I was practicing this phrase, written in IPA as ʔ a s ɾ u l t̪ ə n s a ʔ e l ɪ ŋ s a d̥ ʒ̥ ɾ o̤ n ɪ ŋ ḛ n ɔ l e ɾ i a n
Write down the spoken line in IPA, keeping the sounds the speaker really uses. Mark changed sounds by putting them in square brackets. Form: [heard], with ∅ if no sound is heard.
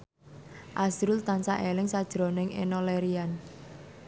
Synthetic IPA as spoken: ʔ a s ɾ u l t̪ [a] n s a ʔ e l ɪ ŋ s a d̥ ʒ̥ ɾ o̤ n ɪ ŋ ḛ n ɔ l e ɾ i a n